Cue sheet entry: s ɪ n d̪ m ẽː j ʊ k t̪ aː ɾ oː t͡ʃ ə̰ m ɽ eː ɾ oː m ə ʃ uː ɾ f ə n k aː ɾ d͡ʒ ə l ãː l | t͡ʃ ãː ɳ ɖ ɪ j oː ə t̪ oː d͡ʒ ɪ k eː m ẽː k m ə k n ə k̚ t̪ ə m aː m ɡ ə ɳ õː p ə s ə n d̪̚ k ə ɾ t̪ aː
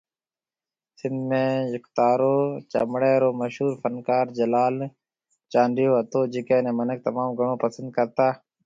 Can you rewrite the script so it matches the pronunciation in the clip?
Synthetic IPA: s ɪ n d̪ m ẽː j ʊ k t̪ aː ɾ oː t͡ʃ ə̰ m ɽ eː ɾ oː m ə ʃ uː ɾ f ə n k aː ɾ d͡ʒ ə l aː l | t͡ʃ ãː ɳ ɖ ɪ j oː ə t̪ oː d͡ʒ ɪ k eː n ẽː m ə n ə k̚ t̪ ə m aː m ɡ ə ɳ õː p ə s ə n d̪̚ k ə ɾ t̪ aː